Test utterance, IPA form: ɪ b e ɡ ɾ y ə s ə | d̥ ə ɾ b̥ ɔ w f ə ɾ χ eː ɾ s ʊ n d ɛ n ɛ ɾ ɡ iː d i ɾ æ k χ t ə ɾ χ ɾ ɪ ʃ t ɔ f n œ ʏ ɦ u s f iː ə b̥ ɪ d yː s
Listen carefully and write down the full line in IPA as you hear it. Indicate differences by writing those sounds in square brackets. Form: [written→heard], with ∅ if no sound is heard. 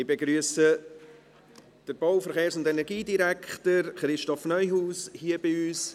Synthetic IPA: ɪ b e ɡ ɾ y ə s ə | d̥ ə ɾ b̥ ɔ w f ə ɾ χ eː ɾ s ʊ n d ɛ n ɛ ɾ ɡ iː d i ɾ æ k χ t ə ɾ χ ɾ ɪ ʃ t ɔ f n œ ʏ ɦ [u→uː] s [f→h] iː ə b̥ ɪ [d→∅] yː s